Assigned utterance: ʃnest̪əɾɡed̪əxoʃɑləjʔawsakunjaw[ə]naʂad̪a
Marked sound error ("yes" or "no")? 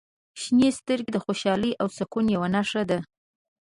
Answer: yes